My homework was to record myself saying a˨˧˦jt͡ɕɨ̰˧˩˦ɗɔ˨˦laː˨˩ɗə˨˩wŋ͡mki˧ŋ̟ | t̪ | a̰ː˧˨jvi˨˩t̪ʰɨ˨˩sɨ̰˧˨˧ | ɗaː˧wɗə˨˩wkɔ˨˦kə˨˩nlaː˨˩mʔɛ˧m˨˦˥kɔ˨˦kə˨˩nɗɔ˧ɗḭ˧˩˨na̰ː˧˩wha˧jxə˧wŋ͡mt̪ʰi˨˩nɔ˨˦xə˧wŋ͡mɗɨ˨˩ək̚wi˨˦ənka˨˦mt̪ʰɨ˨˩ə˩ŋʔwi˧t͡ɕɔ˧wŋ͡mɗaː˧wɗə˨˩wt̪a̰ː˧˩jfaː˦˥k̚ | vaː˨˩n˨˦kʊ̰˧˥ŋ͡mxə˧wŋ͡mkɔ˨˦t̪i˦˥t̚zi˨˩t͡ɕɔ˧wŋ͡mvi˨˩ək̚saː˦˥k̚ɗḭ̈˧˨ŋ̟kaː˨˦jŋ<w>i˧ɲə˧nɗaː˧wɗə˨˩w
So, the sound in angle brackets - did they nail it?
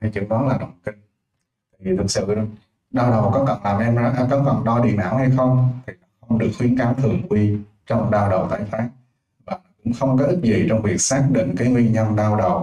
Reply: yes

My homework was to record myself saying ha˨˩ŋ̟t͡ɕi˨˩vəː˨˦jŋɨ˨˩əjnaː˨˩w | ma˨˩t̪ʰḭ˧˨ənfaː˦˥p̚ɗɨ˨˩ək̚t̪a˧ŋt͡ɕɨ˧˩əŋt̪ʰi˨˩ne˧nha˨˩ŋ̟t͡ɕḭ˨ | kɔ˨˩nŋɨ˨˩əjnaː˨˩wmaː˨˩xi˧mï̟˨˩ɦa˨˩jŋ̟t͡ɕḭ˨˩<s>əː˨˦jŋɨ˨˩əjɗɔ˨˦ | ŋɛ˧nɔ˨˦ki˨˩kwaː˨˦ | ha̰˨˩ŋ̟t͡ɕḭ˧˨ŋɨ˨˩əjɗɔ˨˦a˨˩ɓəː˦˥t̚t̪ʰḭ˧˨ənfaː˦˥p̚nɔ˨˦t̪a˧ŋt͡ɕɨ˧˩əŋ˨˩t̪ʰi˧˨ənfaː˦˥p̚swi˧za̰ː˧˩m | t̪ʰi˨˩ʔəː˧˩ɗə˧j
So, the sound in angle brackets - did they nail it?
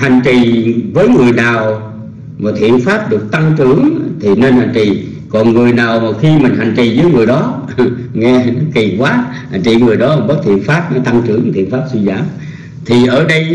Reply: no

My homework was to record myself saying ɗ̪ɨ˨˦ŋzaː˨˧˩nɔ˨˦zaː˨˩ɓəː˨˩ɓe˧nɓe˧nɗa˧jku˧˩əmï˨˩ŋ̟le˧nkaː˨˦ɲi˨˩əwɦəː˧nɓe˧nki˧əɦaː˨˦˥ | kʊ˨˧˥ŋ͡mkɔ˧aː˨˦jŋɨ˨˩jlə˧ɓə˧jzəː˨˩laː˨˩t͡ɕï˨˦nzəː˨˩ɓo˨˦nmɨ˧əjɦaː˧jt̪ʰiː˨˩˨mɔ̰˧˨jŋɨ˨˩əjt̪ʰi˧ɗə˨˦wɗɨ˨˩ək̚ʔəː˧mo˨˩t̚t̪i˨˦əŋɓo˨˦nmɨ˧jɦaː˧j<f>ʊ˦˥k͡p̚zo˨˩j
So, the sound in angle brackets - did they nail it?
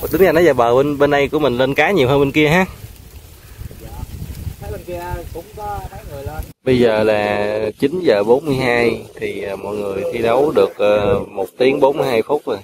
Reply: yes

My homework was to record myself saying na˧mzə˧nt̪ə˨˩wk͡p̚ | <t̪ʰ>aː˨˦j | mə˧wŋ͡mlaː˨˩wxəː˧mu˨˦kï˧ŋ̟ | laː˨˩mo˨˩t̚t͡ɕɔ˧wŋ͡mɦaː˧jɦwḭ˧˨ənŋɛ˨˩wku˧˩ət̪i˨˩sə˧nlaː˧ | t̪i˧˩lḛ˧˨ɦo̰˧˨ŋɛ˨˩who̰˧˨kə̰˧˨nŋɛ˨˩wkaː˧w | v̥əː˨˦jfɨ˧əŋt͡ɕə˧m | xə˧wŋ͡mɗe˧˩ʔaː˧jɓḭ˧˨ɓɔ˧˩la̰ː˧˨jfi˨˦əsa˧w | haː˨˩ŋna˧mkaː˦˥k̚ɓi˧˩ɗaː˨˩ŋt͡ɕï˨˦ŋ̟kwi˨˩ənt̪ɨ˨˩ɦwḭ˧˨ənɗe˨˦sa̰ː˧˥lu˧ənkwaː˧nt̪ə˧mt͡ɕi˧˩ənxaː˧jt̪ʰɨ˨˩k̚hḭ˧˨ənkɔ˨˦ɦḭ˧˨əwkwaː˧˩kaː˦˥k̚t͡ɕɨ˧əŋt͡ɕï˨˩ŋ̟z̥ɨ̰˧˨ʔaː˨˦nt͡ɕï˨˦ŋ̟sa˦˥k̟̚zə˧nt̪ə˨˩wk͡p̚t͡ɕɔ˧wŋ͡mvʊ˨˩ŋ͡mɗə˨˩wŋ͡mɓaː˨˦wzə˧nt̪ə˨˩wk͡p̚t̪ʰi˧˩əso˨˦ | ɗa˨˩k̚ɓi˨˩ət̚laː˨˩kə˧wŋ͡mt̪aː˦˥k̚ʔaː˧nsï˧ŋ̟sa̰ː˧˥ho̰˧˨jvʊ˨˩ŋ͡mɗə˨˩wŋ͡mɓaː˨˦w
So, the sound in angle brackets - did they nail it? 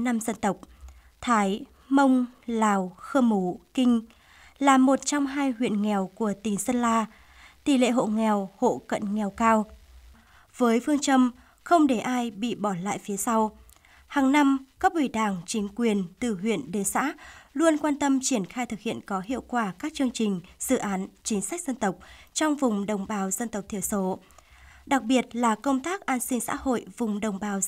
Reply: yes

